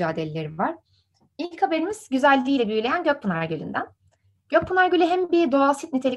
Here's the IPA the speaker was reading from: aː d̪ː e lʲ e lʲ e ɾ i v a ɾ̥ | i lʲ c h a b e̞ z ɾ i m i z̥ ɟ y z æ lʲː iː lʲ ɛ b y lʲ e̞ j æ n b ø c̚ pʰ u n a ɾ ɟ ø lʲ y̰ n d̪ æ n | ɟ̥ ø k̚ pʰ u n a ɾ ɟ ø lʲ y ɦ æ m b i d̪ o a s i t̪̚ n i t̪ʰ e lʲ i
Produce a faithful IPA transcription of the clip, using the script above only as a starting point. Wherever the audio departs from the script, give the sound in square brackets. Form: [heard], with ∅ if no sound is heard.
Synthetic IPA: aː [d̪] e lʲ e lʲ e ɾ i v a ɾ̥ | i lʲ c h a b e̞ [∅] ɾ i m i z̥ ɟ y z æ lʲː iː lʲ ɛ b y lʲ e̞ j æ n [ɟ] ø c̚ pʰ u n a ɾ ɟ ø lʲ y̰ n d̪ æ n | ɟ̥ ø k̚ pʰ u n a ɾ ɟ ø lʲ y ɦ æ m b i d̪ o a s i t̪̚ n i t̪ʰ e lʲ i